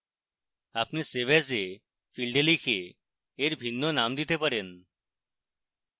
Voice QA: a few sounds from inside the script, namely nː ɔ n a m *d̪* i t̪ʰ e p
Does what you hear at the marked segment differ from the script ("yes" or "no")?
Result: no